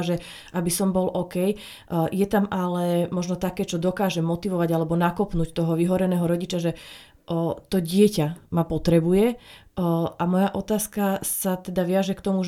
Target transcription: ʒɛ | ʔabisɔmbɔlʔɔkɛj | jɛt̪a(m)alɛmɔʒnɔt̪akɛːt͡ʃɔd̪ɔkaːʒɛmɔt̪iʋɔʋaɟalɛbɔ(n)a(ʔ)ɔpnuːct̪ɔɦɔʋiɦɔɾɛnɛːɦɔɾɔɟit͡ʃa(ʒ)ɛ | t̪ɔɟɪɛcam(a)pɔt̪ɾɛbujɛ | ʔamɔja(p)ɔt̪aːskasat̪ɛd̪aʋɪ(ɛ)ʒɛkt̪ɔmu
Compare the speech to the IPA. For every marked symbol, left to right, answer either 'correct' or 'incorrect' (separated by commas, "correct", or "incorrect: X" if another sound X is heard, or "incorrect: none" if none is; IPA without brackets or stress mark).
correct, correct, incorrect: k, correct, correct, incorrect: ʔ, incorrect: a